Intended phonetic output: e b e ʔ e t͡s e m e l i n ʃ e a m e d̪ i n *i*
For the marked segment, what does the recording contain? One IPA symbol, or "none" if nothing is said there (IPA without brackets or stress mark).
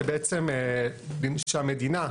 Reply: a